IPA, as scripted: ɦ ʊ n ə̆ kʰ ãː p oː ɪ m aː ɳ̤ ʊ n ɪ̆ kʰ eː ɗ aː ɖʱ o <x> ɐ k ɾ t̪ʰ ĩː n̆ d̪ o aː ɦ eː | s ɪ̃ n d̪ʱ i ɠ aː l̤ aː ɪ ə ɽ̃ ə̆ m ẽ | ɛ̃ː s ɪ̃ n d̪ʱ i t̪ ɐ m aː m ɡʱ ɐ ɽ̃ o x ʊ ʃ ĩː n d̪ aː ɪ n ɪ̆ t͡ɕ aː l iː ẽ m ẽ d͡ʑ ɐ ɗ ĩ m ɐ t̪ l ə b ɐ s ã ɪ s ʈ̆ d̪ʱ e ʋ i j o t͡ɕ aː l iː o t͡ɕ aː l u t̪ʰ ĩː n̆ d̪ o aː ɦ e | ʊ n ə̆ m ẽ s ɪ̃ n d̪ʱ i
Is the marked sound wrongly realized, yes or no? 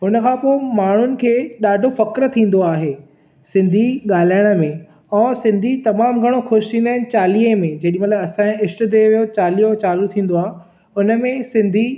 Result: yes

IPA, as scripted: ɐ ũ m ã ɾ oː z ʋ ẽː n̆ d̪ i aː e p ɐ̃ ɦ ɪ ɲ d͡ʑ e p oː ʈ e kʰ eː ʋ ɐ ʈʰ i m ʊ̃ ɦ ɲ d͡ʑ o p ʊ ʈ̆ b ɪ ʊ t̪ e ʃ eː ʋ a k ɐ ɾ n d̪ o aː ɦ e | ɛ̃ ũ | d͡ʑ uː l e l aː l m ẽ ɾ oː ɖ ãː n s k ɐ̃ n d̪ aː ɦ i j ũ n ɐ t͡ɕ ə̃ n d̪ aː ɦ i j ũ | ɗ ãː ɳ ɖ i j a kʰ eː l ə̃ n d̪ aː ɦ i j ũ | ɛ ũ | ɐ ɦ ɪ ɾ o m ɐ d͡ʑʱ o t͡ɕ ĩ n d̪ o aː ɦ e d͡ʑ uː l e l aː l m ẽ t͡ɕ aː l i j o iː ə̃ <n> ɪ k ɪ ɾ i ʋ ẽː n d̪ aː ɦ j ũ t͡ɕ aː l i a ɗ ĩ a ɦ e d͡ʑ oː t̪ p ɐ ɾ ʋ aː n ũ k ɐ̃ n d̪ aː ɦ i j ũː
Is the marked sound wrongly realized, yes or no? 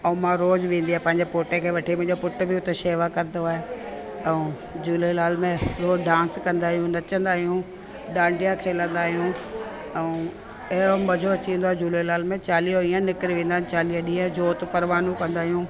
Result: no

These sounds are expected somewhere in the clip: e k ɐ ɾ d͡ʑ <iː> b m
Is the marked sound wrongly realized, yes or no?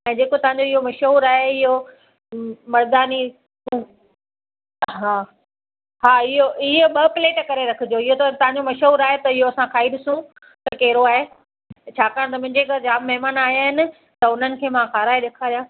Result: yes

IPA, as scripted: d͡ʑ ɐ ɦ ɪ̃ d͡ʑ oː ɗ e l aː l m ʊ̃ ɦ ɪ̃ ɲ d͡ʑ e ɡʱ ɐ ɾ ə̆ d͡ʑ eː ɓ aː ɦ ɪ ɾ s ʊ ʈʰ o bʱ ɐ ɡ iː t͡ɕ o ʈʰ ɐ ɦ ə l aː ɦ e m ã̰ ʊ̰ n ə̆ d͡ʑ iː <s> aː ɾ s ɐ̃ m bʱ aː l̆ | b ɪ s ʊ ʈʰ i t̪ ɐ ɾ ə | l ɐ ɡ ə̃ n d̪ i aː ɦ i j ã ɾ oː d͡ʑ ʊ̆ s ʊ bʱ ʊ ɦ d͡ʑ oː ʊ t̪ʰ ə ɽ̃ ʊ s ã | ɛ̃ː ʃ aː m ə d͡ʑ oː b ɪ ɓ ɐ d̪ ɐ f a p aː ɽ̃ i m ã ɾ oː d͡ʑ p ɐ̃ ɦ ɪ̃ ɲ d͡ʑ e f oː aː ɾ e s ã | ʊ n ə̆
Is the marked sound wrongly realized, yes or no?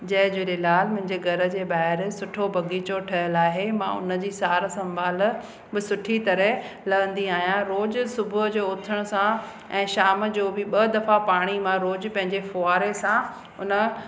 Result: no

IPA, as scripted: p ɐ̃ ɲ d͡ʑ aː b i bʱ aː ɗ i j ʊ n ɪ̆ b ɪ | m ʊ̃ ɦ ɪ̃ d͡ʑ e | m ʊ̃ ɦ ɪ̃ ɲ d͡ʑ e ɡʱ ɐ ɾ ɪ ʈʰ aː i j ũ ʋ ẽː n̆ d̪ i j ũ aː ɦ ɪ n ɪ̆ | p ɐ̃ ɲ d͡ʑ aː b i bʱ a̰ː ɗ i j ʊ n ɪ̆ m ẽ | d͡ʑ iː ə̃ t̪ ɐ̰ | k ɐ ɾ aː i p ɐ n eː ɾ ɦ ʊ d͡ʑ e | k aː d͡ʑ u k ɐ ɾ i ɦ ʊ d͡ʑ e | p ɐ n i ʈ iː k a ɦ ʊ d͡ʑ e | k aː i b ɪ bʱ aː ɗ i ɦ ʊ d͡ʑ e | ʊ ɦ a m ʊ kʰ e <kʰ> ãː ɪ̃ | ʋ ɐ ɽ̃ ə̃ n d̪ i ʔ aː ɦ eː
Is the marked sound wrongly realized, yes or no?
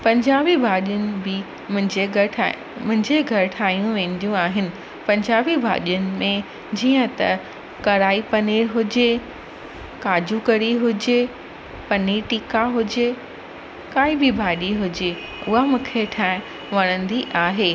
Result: yes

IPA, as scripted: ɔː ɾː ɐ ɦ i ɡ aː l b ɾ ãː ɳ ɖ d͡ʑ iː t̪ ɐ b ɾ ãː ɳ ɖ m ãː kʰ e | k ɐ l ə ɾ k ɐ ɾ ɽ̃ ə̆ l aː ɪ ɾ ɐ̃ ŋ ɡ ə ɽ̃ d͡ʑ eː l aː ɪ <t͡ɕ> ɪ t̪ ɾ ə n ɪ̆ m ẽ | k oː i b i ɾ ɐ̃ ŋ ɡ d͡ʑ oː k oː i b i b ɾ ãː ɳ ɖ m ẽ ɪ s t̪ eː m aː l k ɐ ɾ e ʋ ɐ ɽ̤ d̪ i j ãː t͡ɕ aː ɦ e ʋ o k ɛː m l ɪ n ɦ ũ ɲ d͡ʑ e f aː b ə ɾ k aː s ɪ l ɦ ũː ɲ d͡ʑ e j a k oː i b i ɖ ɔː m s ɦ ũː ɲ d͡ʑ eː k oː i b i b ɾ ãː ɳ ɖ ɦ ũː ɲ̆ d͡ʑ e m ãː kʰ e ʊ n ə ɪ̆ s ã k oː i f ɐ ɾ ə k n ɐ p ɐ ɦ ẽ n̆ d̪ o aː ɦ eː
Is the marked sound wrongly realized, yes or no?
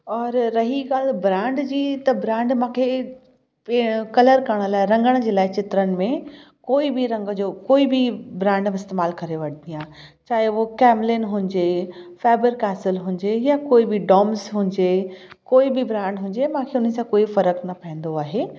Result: no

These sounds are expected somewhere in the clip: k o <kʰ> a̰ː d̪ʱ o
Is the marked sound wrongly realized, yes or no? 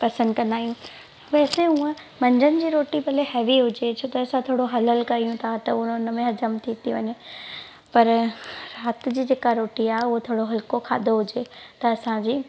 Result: no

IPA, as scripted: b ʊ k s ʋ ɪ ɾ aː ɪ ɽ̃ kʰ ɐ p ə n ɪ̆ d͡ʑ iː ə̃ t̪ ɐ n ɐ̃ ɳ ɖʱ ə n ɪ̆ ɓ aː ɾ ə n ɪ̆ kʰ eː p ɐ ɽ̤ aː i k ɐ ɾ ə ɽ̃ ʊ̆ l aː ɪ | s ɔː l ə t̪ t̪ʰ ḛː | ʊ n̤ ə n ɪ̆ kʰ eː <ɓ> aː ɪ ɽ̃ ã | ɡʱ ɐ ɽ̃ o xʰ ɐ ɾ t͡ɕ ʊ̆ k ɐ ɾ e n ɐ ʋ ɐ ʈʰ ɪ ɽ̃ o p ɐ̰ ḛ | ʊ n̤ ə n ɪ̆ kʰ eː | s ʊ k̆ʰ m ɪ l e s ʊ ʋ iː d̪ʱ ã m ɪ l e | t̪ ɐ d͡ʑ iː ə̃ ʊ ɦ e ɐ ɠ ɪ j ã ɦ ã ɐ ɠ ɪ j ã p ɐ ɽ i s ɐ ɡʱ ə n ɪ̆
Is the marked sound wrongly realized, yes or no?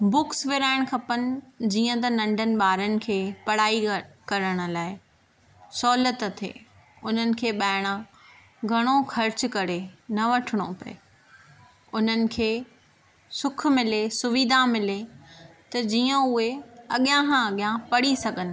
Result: no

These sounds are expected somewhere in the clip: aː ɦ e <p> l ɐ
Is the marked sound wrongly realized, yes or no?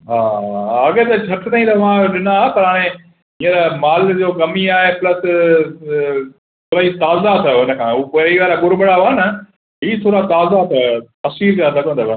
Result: no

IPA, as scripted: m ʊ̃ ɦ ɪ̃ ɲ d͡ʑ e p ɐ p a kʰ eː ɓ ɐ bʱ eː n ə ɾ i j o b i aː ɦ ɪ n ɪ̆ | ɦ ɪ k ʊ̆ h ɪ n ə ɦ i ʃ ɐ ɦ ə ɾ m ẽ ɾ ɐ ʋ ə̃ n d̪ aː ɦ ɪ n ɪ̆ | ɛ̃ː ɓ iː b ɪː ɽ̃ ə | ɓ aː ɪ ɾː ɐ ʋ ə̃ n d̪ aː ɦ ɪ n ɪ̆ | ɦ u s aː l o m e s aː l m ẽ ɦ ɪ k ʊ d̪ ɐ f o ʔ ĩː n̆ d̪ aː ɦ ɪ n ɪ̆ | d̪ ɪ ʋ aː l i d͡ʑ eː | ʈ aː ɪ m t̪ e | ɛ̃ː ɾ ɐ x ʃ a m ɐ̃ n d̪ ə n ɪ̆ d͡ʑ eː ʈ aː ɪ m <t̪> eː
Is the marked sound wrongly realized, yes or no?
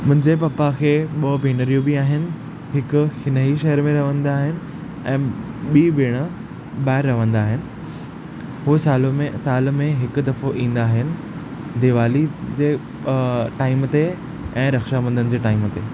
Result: no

